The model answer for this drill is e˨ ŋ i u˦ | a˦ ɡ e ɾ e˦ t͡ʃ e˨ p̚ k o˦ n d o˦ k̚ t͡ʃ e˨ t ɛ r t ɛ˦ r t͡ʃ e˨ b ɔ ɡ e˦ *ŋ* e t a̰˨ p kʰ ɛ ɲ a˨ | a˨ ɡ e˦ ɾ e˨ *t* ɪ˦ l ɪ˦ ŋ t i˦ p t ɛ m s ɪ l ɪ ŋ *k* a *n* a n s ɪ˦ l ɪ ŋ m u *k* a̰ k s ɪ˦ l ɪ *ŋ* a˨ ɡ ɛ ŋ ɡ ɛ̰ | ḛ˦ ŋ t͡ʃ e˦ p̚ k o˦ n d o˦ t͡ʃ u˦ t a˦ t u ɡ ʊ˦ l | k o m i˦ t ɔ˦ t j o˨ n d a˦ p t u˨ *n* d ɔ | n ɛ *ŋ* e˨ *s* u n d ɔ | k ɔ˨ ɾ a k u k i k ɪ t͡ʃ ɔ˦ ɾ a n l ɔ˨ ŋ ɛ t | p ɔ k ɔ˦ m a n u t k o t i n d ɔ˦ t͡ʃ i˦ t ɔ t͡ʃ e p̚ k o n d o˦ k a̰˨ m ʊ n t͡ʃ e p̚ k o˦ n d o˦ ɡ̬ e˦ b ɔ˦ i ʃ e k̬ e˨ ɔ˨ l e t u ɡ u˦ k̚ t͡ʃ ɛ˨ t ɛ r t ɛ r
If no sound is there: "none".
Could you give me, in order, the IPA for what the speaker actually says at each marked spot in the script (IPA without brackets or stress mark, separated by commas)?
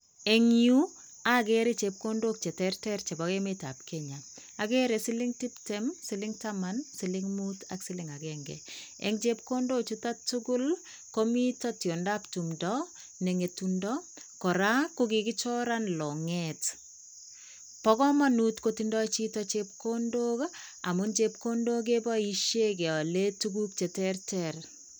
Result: m, s, t, m, t, ŋ, m, ŋ, t